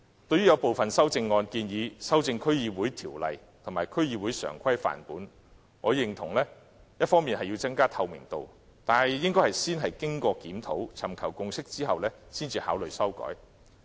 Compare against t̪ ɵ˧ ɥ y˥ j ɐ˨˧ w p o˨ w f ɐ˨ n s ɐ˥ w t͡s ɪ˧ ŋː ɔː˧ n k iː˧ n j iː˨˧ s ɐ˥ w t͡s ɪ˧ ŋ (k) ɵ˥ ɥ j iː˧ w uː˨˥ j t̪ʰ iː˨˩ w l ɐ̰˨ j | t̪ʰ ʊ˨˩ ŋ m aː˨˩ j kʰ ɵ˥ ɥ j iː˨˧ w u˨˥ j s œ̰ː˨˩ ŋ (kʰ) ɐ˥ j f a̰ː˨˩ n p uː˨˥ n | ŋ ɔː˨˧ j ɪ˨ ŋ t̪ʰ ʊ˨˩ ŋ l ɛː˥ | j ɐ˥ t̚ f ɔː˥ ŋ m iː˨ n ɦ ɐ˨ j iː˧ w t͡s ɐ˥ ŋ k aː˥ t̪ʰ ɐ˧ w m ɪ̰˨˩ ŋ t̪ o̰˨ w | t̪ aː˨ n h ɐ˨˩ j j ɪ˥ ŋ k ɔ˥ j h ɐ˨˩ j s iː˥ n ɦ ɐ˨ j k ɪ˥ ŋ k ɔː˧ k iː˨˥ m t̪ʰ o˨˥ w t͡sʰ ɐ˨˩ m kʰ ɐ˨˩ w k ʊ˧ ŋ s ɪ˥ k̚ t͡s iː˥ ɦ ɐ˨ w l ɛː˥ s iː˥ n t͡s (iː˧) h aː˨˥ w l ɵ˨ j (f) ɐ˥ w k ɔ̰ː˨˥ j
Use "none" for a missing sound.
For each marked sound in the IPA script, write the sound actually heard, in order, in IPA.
kʰ, kʰ, iː˧, s

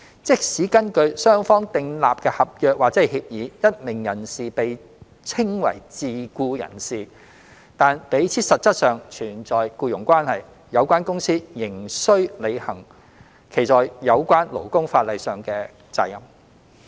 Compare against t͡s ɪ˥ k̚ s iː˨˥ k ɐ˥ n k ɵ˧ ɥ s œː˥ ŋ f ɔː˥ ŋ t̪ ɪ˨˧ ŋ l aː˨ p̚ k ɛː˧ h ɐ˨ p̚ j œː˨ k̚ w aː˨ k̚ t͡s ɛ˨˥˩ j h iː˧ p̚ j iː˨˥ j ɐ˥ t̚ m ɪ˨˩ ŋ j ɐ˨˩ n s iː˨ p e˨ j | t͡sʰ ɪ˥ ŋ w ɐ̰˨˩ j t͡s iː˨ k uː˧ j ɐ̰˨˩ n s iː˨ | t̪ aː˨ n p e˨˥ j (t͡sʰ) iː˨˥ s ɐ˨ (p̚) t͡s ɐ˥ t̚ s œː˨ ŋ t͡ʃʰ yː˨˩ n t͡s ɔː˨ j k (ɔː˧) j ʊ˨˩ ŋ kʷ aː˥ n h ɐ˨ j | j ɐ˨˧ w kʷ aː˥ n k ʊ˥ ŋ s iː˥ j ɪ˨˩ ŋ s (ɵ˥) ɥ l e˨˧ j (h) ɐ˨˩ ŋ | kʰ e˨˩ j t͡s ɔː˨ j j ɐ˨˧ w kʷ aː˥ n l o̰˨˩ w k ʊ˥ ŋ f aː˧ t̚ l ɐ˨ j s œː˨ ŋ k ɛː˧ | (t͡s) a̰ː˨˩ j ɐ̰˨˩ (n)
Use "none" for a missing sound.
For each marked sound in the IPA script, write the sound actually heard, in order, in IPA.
t͡sʰ, t̚, uː˧, ɵ˥, h, t͡s, m

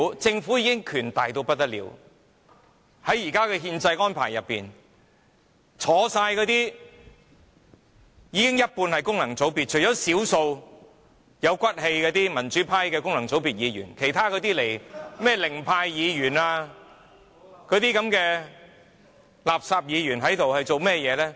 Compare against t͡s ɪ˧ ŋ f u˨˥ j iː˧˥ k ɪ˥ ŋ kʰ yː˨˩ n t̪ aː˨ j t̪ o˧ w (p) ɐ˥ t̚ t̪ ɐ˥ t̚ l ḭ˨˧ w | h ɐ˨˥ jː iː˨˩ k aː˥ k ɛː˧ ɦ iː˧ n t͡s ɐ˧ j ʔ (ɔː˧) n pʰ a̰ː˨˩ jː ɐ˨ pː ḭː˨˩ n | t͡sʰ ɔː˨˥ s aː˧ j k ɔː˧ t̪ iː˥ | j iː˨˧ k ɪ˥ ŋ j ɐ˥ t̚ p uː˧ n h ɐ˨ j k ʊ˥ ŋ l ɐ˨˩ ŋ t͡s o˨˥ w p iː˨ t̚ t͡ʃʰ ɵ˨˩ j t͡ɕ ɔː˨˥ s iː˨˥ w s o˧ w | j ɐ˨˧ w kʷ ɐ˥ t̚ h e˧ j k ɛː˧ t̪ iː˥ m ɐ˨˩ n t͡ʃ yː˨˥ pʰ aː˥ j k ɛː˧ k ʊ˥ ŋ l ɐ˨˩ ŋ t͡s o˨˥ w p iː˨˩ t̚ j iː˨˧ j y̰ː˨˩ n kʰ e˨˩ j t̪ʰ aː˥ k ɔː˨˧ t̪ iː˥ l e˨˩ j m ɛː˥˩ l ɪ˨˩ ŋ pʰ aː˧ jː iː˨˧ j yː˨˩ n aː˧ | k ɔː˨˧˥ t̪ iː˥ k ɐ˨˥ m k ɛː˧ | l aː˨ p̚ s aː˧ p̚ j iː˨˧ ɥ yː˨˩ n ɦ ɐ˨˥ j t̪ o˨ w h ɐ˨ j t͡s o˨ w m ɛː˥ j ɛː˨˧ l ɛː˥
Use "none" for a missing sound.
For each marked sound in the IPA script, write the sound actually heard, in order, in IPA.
p, ɔː˥

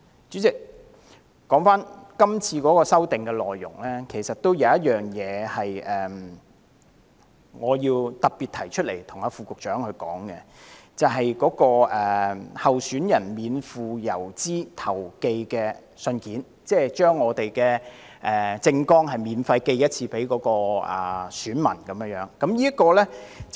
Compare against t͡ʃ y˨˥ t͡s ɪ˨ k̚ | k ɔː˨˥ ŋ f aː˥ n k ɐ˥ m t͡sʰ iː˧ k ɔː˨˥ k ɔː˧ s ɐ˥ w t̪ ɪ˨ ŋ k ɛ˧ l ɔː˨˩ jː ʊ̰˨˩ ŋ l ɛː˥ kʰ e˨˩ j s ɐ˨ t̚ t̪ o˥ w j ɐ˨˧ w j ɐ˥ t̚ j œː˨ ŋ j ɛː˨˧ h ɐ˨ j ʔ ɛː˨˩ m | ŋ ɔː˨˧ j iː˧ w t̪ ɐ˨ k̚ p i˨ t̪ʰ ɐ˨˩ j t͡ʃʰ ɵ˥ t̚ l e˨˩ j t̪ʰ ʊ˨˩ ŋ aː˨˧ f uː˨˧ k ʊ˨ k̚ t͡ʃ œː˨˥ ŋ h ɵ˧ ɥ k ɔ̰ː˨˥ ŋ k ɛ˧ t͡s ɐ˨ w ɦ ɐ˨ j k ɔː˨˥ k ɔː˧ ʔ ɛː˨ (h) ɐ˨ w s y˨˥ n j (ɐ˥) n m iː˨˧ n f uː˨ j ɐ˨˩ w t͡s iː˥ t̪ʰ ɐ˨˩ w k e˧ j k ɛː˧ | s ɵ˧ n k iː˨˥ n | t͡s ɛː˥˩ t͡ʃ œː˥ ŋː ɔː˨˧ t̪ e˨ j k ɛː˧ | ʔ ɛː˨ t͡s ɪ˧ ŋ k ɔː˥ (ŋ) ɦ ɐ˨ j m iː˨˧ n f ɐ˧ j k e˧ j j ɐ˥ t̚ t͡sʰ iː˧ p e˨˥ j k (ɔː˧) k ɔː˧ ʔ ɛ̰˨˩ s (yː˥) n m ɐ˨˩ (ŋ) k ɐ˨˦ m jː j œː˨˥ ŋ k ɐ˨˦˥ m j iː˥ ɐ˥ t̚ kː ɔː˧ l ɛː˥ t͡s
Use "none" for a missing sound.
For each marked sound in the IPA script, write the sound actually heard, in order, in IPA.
h, ɐ˨˩, ŋ, ɔː˨˥, yː˨˥, n

